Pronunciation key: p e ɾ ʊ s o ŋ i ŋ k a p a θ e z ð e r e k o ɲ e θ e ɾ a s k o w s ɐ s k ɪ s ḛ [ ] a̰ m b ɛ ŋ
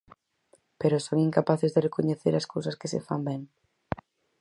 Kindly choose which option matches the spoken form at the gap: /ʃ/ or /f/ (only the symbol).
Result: f